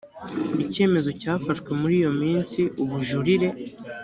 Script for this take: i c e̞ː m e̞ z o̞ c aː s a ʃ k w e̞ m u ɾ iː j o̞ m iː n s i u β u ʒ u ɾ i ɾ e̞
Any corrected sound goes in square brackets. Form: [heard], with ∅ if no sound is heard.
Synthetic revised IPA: i c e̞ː m e̞ z o̞ c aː [f] a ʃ k w e̞ m u ɾ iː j o̞ m iː n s i u β u ʒ u ɾ i ɾ e̞